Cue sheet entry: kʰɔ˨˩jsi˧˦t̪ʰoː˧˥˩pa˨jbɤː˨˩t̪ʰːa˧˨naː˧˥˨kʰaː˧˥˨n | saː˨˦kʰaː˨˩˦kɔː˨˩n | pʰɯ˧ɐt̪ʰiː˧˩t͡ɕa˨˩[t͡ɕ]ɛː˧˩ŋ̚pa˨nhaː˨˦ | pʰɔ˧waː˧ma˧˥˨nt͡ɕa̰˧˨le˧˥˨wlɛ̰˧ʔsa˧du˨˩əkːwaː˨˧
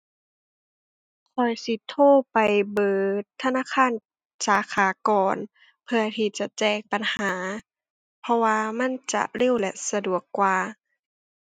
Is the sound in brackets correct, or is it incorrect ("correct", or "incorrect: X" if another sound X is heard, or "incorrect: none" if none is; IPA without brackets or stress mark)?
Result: correct